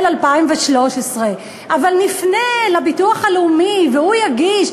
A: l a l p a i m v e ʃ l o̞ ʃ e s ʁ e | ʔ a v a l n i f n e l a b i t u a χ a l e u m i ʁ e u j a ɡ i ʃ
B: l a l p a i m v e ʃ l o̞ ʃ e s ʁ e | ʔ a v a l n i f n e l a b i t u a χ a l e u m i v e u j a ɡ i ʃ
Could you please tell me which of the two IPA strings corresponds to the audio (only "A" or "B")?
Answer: B